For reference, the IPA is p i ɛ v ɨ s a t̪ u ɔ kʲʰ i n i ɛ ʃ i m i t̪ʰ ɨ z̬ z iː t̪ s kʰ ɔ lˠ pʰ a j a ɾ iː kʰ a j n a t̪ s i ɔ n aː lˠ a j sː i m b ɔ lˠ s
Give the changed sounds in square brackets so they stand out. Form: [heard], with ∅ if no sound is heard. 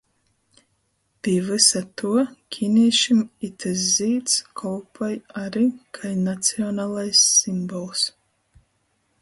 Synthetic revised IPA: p i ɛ v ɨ s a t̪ u ɔ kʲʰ i n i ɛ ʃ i m i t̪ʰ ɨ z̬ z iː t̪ s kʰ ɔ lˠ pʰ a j a ɾ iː kʰ a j n a t̪ s i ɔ n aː lˠ a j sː i m b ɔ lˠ s